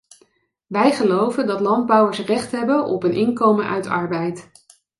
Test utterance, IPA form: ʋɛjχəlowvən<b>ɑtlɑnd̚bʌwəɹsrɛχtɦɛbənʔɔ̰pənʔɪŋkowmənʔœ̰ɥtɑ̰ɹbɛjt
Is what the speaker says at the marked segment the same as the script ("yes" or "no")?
no